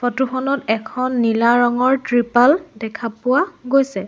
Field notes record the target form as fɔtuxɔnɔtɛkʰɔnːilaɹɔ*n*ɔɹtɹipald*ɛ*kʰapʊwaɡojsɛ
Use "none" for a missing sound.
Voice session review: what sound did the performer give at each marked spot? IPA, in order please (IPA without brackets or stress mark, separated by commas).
ŋ, ɛ